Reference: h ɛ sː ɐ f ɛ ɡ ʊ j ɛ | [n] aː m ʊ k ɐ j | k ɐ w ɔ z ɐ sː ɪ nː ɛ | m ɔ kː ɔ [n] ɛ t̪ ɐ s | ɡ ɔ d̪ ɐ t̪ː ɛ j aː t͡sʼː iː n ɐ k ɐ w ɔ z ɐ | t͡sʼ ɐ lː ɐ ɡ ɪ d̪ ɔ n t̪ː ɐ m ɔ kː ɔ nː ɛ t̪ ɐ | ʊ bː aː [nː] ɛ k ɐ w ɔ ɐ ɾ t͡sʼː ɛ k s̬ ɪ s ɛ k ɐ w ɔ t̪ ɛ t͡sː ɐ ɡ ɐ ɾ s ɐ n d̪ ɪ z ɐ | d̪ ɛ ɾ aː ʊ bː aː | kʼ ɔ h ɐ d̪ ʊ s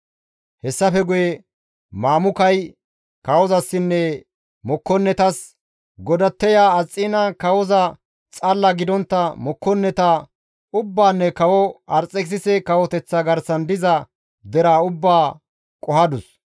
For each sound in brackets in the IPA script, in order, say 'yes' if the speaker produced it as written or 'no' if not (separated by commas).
no, no, yes